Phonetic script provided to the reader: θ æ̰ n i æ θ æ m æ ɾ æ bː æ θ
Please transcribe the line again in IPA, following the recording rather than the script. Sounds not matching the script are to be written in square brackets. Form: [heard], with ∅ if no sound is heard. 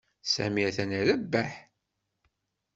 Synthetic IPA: [s] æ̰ [m] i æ θ æ [n] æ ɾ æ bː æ [ħ]